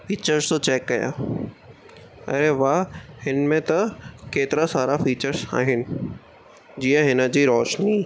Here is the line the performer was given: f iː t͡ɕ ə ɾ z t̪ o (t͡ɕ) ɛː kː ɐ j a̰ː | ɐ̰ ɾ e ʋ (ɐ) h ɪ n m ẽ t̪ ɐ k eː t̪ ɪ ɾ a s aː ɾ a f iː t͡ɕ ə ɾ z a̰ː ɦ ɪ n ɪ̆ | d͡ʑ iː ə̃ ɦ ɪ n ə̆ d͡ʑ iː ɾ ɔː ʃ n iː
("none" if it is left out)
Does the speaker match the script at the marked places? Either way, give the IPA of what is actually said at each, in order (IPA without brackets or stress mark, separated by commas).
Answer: t͡ɕ, a